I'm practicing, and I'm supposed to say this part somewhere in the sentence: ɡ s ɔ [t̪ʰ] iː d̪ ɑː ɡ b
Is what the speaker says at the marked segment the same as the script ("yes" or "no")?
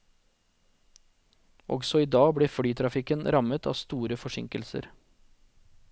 no